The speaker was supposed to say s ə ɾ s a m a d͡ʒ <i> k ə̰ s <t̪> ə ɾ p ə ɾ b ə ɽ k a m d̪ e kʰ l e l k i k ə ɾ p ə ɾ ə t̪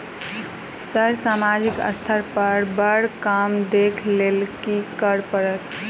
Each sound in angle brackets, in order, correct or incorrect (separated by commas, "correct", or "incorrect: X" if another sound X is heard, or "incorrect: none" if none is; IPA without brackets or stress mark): correct, incorrect: t̪ʰ